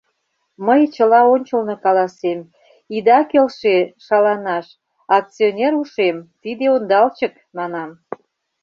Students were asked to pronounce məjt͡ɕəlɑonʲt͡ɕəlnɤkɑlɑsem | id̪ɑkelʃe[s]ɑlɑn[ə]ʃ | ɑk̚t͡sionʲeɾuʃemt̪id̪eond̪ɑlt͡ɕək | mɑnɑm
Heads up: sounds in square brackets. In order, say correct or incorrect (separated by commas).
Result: incorrect, incorrect